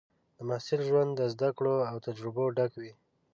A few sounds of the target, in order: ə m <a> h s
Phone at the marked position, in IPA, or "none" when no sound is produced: a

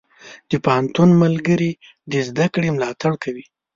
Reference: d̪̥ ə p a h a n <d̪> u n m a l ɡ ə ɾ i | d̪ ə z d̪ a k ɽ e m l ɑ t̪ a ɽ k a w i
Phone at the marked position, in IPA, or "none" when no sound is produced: t̪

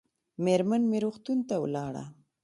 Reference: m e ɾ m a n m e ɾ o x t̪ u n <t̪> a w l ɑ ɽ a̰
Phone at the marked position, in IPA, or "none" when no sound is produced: t̪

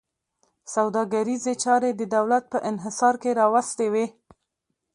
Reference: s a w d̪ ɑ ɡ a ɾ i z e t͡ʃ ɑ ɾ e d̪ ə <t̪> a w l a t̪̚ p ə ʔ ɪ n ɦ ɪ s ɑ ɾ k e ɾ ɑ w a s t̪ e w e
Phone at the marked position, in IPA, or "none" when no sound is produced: d̪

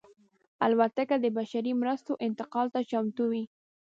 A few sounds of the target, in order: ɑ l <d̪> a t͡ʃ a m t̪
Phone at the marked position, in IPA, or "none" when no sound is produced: t̪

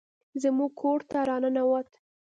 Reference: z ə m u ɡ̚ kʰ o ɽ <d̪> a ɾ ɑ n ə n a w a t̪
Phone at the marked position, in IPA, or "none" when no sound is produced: t̪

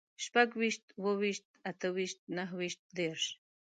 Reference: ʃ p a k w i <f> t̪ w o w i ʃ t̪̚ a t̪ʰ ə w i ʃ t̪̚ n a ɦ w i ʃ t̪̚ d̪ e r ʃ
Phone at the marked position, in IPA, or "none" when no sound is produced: ʃ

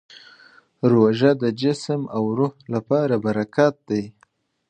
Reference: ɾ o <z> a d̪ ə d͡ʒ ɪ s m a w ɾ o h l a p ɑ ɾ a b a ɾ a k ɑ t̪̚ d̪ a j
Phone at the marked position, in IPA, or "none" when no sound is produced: ʒ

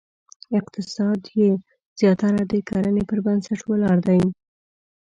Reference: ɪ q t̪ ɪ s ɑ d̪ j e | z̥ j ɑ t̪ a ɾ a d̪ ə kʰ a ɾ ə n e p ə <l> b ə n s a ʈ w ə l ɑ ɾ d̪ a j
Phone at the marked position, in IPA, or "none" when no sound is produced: ɾ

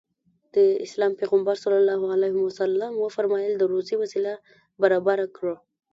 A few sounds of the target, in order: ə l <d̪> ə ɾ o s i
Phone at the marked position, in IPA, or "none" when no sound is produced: d̪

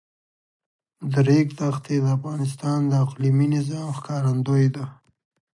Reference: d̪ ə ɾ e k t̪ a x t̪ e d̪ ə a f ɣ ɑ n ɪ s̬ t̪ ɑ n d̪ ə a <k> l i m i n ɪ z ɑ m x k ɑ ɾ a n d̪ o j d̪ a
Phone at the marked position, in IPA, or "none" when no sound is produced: q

